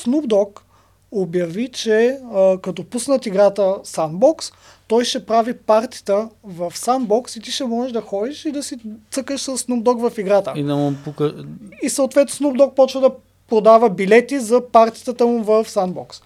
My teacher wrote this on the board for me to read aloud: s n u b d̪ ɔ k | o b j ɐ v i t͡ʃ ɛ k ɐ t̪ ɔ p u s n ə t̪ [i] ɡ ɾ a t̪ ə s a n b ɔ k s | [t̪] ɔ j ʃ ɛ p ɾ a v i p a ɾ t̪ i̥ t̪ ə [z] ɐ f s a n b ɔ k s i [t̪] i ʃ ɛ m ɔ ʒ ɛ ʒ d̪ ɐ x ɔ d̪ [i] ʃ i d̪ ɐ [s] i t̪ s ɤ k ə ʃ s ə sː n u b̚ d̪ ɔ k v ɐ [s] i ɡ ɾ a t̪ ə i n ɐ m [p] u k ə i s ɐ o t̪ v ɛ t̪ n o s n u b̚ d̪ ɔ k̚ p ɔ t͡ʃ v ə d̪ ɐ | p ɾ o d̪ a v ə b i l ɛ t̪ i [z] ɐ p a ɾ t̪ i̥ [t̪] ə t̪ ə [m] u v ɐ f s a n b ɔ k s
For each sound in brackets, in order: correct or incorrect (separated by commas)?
correct, correct, incorrect, correct, correct, correct, incorrect, correct, correct, correct, correct